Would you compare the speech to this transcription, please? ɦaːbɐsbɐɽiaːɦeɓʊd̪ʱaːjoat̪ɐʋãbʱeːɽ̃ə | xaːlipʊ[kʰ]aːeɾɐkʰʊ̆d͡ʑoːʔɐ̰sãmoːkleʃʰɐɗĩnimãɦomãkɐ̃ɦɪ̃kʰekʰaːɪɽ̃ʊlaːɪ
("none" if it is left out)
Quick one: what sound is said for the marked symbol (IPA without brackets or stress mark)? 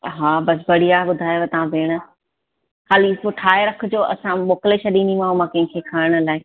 ʈʰ